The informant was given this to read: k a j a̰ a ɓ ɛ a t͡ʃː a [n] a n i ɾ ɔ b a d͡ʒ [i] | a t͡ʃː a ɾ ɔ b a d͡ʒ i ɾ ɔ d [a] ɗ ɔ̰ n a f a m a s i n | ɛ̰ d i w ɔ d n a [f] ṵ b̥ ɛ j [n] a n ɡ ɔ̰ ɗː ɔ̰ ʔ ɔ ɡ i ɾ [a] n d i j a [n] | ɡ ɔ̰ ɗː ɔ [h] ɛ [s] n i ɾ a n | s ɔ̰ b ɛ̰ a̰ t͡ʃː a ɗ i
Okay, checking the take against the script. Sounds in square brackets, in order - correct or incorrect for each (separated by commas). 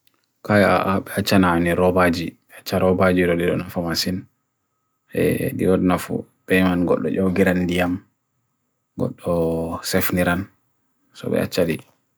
correct, correct, incorrect, correct, incorrect, correct, incorrect, incorrect, incorrect